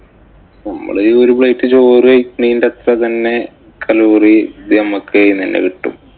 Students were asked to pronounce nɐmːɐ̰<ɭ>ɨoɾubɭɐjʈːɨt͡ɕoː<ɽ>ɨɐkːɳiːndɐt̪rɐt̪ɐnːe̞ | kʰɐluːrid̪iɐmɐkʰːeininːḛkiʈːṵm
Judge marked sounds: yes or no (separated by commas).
yes, no